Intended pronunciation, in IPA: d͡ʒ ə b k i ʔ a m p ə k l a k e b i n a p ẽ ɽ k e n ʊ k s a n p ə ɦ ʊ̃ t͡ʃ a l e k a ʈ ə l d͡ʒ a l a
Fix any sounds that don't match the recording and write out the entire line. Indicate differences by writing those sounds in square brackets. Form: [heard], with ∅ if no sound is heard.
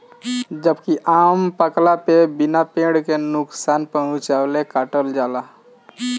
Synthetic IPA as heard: d͡ʒ ə b k i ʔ a m p ə k l a [p] e b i n a p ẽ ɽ k e n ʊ k s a n p ə ɦ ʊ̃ t͡ʃ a l e k a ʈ ə l d͡ʒ a l a